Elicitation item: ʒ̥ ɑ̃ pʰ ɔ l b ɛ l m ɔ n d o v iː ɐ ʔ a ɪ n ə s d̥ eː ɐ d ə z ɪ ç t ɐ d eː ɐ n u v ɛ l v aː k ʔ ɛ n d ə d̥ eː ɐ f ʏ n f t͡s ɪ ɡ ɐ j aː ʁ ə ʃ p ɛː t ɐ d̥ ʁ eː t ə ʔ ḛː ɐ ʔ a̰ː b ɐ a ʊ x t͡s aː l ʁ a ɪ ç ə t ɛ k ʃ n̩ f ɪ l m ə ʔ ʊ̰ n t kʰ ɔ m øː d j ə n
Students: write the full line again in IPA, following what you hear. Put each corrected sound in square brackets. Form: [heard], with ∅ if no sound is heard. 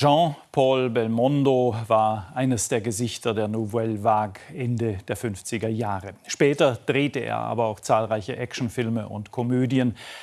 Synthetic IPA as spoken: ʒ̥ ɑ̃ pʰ ɔ l b ɛ l m ɔ n d o v [aː] ɐ ʔ a ɪ n ə s d̥ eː ɐ [ɡ] ə z ɪ ç t ɐ d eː ɐ n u v ɛ l v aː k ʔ ɛ n d ə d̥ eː ɐ f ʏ n f t͡s ɪ ɡ ɐ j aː ʁ ə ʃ p ɛː t ɐ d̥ ʁ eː t ə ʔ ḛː ɐ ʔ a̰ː b ɐ a ʊ x t͡s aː l ʁ a ɪ ç ə [ʔ] ɛ k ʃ n̩ f ɪ l m ə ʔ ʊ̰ n t kʰ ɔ m øː d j ə n